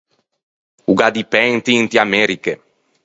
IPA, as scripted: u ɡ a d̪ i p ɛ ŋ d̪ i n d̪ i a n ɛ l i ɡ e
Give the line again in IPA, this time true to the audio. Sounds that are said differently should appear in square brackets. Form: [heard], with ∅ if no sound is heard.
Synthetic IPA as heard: u ɡ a d̪ i p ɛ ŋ [t̪] i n [t̪] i a [m] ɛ [ɾ] i [k] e

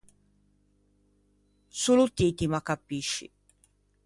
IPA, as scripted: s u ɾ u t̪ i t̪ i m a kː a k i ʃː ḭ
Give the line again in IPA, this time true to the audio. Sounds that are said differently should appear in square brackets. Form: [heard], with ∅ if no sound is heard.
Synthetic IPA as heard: s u [l] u t̪ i t̪ i m a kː a [p] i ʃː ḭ

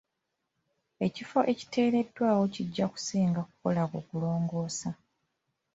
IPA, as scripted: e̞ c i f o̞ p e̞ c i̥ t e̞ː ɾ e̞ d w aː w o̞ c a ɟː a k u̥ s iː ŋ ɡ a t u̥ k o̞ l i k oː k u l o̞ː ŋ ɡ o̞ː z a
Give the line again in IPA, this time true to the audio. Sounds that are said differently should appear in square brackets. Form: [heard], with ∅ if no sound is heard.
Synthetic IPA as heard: e̞ c i f o̞ [ʔ] e̞ c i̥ t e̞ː ɾ e̞ d w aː w o̞ c [i] ɟː a k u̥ s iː ŋ ɡ a [k] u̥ k o̞ l [a] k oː k u l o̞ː ŋ ɡ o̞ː [s] a

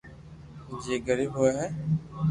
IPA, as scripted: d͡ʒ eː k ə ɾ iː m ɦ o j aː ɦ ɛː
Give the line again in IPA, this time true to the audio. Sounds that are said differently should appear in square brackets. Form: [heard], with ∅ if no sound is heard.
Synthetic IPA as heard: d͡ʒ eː [ɡ] ə ɾ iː [b] ɦ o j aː ɦ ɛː

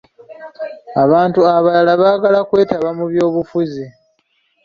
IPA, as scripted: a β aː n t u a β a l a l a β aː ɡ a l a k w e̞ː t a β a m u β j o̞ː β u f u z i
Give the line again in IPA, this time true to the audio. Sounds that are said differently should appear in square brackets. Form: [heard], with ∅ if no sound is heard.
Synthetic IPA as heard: a β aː n t u a β a l a l a β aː ɡ a l a k w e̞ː t a β a m u β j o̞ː β u f u z i

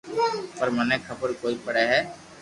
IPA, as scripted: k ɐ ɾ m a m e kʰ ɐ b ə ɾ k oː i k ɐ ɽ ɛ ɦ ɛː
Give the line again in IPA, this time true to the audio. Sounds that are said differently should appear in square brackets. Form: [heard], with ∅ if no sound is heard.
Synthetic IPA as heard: [p] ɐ ɾ m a [n] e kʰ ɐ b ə ɾ k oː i [p] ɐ ɽ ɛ ɦ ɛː

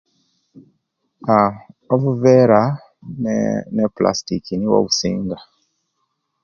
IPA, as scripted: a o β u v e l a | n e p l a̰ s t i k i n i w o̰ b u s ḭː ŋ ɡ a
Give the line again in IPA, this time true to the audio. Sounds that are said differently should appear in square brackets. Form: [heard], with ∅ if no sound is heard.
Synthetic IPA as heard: a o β u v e [ɾ] a | n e p l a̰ s t i k i n i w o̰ [β] u s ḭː ŋ ɡ a

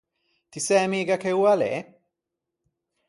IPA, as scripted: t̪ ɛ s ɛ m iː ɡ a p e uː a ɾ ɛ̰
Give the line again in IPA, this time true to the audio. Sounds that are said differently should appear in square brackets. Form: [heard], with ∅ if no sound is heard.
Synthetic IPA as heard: t̪ [i] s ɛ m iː ɡ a [k] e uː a [l] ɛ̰

